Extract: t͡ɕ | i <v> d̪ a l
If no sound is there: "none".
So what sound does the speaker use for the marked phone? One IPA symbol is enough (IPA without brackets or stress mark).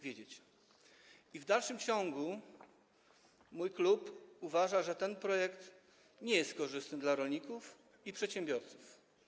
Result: v